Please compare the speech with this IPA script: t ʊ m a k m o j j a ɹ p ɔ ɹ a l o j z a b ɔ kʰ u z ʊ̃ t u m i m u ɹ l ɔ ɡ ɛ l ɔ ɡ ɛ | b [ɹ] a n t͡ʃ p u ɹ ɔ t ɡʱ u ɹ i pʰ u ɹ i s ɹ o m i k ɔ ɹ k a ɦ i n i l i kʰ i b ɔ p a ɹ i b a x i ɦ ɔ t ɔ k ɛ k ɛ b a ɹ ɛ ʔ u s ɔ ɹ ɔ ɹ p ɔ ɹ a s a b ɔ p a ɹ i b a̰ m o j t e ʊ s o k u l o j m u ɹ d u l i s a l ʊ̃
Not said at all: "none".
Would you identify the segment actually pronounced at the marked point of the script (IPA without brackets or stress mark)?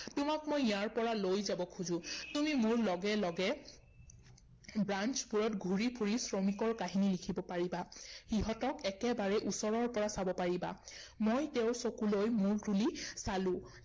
ɹ